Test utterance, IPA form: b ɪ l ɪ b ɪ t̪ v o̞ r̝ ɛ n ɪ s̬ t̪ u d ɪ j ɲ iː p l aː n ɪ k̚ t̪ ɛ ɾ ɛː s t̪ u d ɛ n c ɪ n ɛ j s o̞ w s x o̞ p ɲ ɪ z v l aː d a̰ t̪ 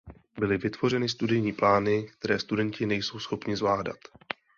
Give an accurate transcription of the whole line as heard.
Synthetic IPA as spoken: b ɪ l ɪ v ɪ t̪ v o̞ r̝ ɛ n ɪ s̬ t̪ u d ɪ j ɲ iː p l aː n ɪ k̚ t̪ ɛ ɾ ɛː s t̪ u d ɛ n c ɪ n ɛ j s o̞ w s x o̞ p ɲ ɪ z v l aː d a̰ t̪

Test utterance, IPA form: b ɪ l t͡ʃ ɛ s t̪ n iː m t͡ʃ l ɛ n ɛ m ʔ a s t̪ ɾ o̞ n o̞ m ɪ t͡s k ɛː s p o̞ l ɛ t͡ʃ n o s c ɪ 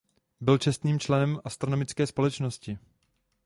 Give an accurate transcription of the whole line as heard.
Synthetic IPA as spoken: b ɪ l t͡ʃ ɛ s t̪ n iː m t͡ʃ l ɛ n ɛ m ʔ a s t̪ ɾ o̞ n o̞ m ɪ t͡s k ɛː s p o̞ l ɛ t͡ʃ n o s c ɪ

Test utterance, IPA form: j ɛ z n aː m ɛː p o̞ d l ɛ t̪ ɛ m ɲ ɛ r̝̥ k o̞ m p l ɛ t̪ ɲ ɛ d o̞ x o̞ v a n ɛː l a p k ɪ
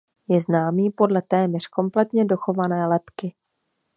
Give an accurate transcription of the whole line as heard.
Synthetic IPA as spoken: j ɛ z n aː m iː p o̞ d l ɛ t̪ ɛː m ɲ ɛ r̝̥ k o̞ m p l ɛ t̪ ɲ ɛ d o̞ x o̞ v a n ɛː l ɛ p k ɪ

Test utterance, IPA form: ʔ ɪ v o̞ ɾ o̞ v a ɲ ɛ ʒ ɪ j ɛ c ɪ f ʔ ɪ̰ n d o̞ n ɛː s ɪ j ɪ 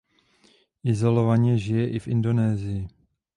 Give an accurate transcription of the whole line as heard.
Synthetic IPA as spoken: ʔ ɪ z o̞ l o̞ v a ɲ ɛ ʒ ɪ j ɛ ʔ ɪ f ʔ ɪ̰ n d o̞ n ɛː z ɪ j ɪ

